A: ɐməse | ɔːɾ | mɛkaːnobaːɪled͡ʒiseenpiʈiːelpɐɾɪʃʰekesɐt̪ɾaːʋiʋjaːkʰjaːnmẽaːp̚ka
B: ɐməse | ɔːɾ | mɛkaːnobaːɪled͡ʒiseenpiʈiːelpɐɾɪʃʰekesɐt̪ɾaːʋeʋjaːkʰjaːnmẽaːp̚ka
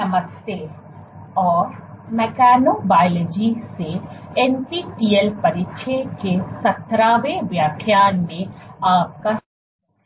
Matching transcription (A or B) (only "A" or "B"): B